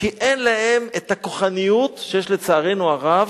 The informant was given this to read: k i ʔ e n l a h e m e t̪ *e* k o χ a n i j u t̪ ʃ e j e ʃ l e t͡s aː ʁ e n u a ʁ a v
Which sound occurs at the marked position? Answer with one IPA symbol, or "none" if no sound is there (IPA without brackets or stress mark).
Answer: a